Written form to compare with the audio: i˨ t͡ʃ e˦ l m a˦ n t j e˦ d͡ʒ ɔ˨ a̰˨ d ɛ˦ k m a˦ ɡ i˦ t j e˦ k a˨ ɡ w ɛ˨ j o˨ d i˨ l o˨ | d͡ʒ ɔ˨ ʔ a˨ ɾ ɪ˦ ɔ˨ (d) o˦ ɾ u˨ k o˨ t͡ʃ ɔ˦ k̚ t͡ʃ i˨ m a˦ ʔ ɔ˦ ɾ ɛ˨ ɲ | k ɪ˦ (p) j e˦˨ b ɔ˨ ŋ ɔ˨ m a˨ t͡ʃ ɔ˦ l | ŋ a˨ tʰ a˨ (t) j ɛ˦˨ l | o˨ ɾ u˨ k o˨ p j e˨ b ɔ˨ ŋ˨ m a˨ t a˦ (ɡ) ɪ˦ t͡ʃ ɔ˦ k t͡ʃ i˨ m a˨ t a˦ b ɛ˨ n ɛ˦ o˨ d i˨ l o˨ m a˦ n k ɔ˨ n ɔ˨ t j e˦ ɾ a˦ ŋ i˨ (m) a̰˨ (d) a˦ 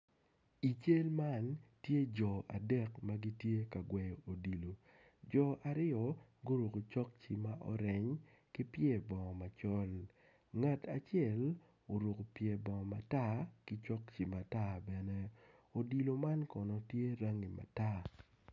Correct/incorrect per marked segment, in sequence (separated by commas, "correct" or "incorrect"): incorrect, correct, incorrect, incorrect, correct, incorrect